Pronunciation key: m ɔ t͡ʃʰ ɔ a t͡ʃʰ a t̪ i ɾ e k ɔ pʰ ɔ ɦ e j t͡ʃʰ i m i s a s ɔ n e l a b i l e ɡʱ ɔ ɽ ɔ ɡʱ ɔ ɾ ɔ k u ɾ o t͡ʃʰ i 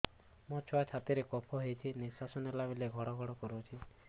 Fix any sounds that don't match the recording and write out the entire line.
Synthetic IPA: m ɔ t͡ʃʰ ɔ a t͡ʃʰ a t̪ i ɾ e k ɔ pʰ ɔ ɦ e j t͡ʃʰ i n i s a s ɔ n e l a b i l e ɡʱ ɔ ɽ ɔ ɡʱ ɔ ɽ ɔ k ɔ ɾ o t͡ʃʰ i